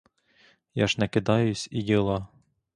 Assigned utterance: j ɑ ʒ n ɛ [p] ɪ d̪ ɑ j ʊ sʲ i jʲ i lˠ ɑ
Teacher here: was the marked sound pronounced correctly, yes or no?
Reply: no